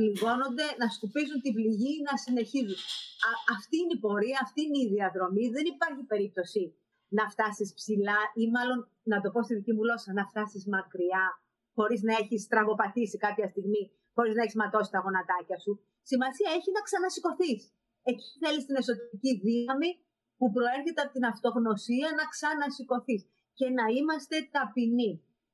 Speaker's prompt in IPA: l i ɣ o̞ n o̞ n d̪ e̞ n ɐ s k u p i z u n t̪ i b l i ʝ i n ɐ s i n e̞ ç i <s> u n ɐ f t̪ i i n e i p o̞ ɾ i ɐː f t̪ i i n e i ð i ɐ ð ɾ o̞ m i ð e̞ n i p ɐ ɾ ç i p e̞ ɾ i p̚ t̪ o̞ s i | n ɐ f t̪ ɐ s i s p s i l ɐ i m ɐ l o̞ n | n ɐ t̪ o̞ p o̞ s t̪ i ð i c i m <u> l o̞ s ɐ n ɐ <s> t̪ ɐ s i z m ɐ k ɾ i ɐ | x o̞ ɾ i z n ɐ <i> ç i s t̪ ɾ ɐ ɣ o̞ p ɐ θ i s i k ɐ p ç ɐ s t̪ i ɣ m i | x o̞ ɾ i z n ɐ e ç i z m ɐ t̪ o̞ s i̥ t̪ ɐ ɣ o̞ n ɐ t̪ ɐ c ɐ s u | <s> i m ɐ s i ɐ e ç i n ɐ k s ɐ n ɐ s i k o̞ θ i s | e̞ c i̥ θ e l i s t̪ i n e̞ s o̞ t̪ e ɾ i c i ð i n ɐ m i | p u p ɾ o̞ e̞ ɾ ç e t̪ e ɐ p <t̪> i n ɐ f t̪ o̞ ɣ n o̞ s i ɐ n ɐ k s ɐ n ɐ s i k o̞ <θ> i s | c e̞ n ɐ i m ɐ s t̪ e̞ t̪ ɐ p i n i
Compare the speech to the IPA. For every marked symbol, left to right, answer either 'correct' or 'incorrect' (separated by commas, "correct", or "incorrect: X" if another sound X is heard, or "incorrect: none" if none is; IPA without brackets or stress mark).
incorrect: z, correct, incorrect: f, incorrect: e, correct, correct, correct